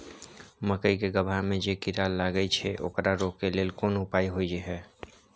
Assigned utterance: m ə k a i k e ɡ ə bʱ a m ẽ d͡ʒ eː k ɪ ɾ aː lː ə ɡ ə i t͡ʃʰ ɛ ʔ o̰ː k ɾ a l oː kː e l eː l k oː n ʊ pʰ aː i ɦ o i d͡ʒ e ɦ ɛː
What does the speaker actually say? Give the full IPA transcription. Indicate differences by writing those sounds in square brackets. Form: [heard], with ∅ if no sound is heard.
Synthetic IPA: m ə k [ə] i k e ɡ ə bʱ a m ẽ d͡ʒ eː k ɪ ɾ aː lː [a] ɡ ə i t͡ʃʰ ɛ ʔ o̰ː k ɾ a [ɾ] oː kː e l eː l k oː n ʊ [p] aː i ɦ o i d͡ʒ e ɦ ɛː